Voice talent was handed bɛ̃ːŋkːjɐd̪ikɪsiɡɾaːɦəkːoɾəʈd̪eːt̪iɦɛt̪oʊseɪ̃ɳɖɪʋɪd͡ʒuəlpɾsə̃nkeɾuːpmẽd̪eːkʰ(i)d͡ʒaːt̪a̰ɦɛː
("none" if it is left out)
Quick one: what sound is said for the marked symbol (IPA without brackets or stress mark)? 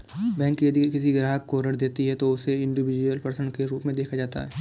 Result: a